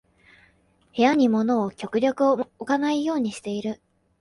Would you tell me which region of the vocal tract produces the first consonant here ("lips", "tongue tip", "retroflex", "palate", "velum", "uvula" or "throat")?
throat